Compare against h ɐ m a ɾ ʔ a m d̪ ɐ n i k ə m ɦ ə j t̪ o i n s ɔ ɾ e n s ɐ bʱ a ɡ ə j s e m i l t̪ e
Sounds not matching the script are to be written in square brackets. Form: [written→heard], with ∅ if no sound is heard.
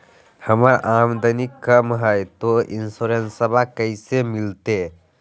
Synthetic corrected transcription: h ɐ m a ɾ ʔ a m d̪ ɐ n i k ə m ɦ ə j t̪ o i n s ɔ ɾ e n s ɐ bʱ a [ɡ→k] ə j s e m i l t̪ e